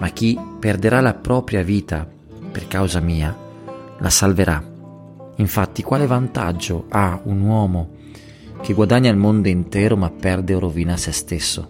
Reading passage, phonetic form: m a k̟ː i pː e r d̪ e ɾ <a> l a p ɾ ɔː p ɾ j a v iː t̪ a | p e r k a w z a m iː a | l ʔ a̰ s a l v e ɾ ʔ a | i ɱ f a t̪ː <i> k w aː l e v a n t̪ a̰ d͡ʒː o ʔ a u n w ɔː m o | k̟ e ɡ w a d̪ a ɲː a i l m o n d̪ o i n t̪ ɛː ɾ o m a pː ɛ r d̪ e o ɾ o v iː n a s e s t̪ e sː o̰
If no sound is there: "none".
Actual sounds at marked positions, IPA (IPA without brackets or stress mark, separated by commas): a, i